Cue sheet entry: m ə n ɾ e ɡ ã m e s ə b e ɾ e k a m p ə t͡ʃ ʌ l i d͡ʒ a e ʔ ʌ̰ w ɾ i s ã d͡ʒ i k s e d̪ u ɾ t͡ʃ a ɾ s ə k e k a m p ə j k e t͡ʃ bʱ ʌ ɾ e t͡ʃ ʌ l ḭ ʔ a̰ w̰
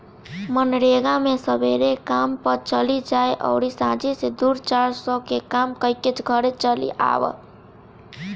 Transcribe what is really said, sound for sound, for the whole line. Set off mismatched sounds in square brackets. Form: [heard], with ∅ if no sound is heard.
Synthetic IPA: m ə n ɾ e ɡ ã m e s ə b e ɾ e k a m p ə t͡ʃ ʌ l i d͡ʒ a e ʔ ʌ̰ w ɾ i s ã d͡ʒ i [∅] s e d̪ u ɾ t͡ʃ a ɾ s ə k e k a m [k] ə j k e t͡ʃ [ɡʱ] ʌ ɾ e t͡ʃ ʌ l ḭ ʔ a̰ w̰